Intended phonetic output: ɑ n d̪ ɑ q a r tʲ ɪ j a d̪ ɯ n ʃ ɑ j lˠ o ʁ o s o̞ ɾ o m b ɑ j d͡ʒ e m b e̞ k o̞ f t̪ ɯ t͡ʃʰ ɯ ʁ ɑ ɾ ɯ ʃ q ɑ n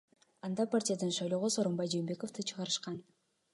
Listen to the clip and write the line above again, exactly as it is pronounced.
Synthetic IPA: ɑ n d̪ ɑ p a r tʲ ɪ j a d̪ ɯ n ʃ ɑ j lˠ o ʁ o s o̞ ɾ o m b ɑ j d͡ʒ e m b e̞ k o̞ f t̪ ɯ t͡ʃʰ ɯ ʁ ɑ ɾ ɯ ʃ q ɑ n